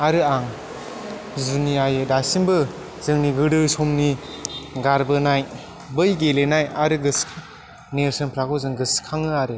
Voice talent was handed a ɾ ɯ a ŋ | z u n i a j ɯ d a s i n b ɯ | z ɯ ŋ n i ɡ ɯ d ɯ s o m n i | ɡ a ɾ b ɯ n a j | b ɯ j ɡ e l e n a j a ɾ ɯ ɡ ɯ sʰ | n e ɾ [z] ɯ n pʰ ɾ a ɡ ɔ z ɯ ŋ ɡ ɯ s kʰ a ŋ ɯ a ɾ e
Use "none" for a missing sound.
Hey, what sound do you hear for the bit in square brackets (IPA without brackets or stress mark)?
s